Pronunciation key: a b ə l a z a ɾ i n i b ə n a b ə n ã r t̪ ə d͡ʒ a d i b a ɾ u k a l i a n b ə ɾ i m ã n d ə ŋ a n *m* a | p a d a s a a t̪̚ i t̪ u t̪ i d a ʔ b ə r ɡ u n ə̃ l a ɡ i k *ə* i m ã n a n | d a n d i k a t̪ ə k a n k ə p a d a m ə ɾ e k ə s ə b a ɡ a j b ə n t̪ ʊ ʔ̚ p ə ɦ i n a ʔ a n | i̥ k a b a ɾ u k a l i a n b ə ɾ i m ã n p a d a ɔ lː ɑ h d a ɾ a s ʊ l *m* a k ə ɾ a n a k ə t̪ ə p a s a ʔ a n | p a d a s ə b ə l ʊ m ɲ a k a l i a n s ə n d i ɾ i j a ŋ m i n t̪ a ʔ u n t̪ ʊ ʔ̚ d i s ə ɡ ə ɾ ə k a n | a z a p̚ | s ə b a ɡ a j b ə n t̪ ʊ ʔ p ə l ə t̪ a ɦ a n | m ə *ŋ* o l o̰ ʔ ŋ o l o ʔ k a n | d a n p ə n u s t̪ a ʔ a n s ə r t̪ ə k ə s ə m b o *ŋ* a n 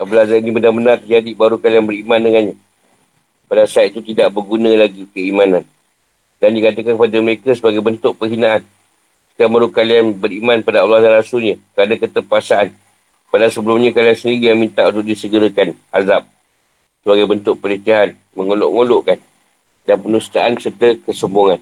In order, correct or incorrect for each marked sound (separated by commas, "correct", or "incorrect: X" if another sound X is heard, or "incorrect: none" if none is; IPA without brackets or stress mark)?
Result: incorrect: ɲ, correct, incorrect: ɲ, correct, correct